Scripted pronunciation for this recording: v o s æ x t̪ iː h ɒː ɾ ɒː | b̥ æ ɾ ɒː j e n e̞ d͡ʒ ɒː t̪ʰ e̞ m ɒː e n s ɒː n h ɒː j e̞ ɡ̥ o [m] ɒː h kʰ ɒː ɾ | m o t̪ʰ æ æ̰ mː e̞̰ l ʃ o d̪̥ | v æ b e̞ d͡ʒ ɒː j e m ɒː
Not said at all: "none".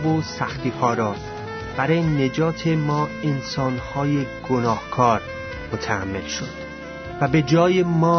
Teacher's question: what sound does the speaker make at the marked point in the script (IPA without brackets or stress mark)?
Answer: n